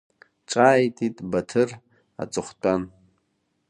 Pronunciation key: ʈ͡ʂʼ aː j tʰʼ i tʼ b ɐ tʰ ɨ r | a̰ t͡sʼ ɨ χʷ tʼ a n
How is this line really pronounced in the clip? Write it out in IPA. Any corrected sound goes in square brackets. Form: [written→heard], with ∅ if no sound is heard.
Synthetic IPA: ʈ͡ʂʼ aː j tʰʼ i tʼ b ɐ tʰ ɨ r | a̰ t͡sʼ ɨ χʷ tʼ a n